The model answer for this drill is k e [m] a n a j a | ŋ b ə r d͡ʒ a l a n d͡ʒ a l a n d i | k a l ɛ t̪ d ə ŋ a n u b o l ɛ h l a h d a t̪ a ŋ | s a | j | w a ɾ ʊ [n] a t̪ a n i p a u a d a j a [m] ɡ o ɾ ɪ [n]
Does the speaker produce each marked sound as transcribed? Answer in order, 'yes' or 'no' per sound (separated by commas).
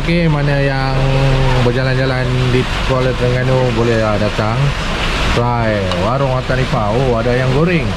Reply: yes, no, no, no